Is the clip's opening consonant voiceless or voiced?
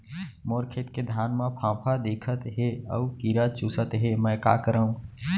voiced